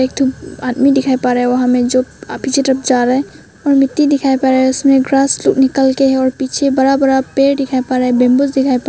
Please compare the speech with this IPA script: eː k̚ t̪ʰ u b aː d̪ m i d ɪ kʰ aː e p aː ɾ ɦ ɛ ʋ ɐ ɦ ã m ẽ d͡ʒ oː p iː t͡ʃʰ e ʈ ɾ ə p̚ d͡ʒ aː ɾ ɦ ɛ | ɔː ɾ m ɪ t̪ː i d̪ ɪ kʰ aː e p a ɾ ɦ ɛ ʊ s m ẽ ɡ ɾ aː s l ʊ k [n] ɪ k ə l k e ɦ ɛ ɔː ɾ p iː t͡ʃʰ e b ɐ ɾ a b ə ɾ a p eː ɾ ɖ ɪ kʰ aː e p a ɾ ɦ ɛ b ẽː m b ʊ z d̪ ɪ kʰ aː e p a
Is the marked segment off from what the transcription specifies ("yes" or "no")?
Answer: no